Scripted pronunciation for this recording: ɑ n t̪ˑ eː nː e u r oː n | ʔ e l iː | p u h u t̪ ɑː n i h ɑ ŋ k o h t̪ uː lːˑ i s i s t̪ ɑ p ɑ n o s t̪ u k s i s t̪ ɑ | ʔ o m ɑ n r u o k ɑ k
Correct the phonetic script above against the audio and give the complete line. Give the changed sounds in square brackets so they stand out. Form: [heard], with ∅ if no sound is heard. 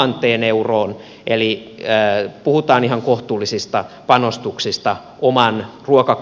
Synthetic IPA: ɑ n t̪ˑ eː [n] e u r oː n | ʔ e l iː | p u h u t̪ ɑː n i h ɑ ŋ k o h t̪ uː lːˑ i s i s t̪ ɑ p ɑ n o s t̪ u k s i s t̪ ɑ | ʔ o m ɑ n r u o k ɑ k